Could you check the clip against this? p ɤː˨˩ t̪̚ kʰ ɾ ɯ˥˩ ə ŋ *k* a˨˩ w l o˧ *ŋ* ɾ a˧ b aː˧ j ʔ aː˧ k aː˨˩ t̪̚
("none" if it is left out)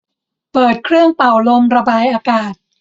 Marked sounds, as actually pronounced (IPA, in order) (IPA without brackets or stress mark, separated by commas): p, m